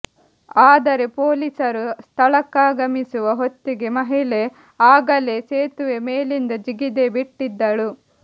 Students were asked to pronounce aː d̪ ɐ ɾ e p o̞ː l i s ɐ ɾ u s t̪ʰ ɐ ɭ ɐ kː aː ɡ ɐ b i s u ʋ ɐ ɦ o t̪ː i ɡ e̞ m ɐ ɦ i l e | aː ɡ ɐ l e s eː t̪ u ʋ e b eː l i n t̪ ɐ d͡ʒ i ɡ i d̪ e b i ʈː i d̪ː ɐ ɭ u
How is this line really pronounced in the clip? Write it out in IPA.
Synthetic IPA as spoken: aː d̪ ɐ ɾ e p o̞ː l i s ɐ ɾ u s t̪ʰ ɐ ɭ ɐ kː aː ɡ ɐ m i s u ʋ ɐ ɦ o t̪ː i ɡ e̞ m ɐ ɦ i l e | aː ɡ ɐ l e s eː t̪ u ʋ e m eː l i n d̪ ɐ d͡ʒ i ɡ i d̪ e b i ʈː i d̪ː ɐ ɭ u